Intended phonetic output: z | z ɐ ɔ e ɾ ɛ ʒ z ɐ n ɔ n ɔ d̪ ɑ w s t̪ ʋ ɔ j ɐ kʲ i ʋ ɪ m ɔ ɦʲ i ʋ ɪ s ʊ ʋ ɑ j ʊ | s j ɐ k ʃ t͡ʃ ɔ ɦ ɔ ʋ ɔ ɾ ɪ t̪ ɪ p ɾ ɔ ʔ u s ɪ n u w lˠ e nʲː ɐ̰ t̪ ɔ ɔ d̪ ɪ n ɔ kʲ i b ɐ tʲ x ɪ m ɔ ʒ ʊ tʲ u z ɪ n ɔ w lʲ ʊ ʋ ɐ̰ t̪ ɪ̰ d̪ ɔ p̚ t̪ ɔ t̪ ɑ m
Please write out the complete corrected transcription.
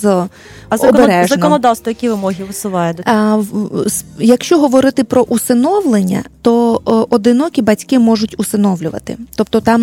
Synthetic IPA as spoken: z | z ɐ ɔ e ɾ ɛ ʒ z ɐ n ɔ n ɔ d̪ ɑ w s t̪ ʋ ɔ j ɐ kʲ i ʋ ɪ m ɔ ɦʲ i ʋ ɪ s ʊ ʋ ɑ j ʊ | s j ɐ k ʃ t͡ʃ ɔ ɦ ɔ ʋ ɔ ɾ ɪ t̪ ɪ p ɾ ɔ ʔ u s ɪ n ɔ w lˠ e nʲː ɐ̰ t̪ ɔ ɔ d̪ ɪ n ɔ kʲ i b ɐ tʲ k ɪ m ɔ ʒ ʊ tʲ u s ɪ n ɔ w lʲ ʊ ʋ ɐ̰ t̪ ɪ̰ t̪ ɔ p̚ t̪ ɔ t̪ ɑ m